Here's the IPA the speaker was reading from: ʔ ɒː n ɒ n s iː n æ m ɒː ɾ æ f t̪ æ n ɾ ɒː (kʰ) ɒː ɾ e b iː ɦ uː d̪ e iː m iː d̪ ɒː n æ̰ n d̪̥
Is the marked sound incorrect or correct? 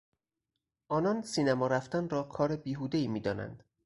correct